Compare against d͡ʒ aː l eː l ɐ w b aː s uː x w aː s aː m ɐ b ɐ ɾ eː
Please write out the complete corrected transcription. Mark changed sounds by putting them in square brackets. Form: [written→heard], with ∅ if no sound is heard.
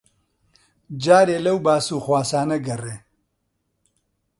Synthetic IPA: d͡ʒ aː [l→ɾ] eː l ɐ w b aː s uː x w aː s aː [m→n] ɐ [b→ɡ] ɐ [ɾ→r] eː

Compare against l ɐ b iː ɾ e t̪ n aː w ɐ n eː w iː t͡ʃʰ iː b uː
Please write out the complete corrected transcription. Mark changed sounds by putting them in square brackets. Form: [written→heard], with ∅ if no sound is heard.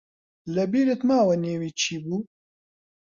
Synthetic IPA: l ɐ b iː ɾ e t̪ [n→m] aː w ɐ n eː w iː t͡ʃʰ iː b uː

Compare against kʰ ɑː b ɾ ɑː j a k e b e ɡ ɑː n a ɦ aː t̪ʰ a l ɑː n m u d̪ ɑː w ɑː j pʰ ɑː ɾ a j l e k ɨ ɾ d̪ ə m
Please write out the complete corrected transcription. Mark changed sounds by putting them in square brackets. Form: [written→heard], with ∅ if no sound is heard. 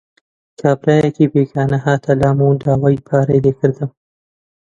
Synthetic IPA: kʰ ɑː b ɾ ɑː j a k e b e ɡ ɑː n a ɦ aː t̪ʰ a l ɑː [n→∅] m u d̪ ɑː w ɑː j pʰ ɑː ɾ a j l e k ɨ ɾ d̪ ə m

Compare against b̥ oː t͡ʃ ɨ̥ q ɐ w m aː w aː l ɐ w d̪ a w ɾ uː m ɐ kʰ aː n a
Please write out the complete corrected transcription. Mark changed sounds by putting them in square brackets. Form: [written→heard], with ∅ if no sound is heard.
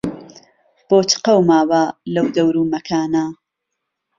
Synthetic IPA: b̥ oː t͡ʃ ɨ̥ q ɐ w m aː w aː l ɐ w d̪ [a→ɐ] w ɾ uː m ɐ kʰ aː n a

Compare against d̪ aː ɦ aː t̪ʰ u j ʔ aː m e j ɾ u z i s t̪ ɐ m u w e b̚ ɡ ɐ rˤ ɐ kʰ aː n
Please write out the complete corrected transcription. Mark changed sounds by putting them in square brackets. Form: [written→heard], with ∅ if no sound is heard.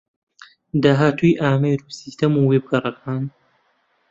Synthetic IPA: d̪ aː ɦ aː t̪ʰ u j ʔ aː m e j ɾ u [z→s] i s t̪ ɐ m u w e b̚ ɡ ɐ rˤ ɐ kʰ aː n

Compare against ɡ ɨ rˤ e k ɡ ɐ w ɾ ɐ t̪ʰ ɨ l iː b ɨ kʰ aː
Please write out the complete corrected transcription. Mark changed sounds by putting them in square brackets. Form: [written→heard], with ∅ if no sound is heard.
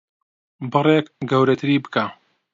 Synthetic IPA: [ɡ→b] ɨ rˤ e k ɡ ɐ w ɾ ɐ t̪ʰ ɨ [l→ɾ] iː b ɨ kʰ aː

